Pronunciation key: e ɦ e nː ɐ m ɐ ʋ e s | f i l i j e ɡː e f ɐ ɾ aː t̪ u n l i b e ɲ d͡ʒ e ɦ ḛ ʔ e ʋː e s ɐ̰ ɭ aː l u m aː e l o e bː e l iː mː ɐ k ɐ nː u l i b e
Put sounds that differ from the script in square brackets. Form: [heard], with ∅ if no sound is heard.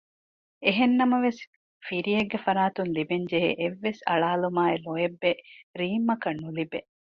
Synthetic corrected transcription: e ɦ e nː ɐ m ɐ ʋ e s | f i [ɾ] i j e ɡː e f ɐ ɾ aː t̪ u n l i b e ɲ d͡ʒ e ɦ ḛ ʔ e ʋː e s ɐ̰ ɭ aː l u m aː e l o e bː e [ɾ] iː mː ɐ k ɐ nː u l i b e